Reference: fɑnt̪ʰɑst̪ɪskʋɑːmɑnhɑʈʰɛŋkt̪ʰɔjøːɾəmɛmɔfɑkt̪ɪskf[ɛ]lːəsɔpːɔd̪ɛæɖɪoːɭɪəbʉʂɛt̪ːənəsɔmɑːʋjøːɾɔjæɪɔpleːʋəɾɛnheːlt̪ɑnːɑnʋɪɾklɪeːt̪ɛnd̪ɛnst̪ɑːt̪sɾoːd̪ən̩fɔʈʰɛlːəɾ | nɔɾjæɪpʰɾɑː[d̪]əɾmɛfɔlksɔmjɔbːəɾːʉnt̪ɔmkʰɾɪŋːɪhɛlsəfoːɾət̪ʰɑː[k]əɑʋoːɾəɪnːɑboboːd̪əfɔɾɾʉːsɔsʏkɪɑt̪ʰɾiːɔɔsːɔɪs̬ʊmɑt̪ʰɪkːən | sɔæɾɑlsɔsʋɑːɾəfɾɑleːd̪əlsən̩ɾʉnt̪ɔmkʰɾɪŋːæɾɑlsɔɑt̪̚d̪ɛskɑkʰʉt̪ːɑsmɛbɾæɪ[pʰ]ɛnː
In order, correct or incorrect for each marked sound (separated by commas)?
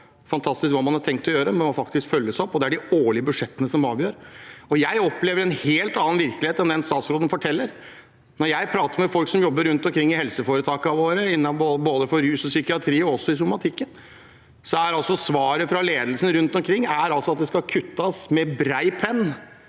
incorrect, incorrect, correct, correct